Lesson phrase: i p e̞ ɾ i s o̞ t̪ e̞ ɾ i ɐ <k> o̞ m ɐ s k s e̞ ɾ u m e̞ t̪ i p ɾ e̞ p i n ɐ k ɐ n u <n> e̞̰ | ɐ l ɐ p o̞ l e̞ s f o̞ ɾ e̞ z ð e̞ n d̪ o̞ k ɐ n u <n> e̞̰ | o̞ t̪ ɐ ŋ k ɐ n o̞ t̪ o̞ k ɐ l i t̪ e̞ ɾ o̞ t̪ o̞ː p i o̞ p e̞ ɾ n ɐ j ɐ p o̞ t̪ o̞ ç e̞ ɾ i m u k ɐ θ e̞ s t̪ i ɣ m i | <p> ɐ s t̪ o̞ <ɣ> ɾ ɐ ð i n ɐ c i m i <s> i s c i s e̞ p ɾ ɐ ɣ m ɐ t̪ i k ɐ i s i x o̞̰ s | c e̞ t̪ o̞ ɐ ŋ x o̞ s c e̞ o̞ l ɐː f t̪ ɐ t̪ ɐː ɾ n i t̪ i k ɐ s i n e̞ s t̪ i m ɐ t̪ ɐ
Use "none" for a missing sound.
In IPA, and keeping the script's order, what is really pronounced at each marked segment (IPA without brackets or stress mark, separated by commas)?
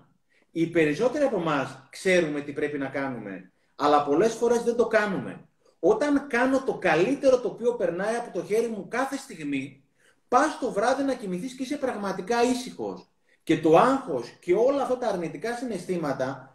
p, m, m, p, v, θ